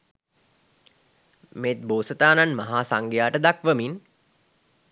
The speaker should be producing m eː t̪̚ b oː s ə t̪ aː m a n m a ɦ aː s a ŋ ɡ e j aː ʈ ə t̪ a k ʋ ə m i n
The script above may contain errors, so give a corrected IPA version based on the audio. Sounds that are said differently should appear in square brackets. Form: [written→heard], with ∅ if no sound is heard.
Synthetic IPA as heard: m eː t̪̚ b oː s ə t̪ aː [m→n] a n m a ɦ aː s a ŋ ɡ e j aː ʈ ə [t̪→d̪] a k ʋ ə m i n